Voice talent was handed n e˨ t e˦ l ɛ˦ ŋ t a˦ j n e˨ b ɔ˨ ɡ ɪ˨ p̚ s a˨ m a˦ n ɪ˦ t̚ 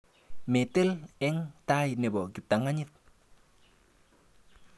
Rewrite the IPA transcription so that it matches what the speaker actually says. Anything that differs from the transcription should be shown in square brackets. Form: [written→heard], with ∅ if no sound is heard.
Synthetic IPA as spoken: [n→m] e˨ t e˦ l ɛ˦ ŋ t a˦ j n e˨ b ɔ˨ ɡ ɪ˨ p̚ [s→t] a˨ [m→ŋ] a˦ [n→ɲ] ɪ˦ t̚